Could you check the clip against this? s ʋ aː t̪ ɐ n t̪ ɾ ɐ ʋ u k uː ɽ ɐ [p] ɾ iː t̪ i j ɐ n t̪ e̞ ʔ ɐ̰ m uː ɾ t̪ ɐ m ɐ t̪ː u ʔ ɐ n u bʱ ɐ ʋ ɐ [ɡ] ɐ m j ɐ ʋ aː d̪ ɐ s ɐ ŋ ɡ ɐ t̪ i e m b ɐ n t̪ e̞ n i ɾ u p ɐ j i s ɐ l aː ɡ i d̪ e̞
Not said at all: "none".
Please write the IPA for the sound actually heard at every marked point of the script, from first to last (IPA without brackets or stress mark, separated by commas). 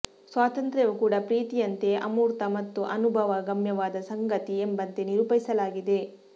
p, ɡ